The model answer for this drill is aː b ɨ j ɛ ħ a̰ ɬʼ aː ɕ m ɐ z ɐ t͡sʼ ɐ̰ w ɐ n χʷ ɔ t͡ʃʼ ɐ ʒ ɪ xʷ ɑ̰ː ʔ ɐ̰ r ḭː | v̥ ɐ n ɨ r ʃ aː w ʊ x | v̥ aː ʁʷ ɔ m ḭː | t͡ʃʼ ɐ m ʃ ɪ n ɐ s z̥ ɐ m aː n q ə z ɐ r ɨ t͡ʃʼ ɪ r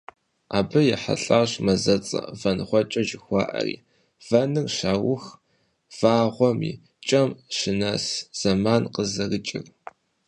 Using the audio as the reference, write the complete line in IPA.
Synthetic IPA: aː b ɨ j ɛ ħ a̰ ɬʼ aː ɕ m ɐ z ɐ t͡sʼ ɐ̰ v ɐ n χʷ ɔ t͡ʃʼ ɐ ʒ ɪ xʷ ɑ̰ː ʔ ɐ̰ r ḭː | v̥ ɐ n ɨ r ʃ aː w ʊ x | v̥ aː ʁʷ ɔ m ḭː | t͡ʃʼ ɐ m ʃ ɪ n ɐ s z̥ ɐ m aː n q ə z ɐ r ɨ t͡ʃʼ ɪ r